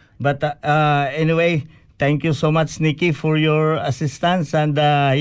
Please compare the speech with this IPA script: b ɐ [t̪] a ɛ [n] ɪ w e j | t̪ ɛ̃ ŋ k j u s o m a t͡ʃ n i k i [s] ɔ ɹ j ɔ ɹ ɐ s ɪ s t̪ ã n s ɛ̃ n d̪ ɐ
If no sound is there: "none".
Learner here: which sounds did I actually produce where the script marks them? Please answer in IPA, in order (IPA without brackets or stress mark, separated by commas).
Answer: t̪, n, f